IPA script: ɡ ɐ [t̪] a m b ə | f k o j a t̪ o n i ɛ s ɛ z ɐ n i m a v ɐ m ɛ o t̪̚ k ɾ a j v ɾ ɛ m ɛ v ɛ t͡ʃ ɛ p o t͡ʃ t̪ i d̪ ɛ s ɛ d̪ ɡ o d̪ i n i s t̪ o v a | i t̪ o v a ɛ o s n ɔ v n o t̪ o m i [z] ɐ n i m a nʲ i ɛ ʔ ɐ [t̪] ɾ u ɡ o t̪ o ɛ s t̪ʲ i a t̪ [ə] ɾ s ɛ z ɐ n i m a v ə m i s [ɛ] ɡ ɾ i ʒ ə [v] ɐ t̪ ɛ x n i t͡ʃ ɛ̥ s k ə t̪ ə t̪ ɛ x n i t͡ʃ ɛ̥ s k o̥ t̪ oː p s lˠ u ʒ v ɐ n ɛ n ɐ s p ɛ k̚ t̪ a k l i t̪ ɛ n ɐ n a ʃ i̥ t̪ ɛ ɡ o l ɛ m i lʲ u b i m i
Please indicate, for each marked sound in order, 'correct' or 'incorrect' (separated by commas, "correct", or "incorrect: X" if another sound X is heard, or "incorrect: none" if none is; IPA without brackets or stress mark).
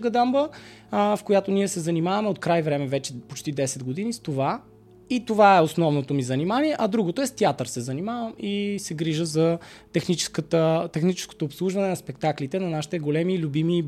incorrect: d̪, correct, incorrect: d̪, correct, correct, incorrect: z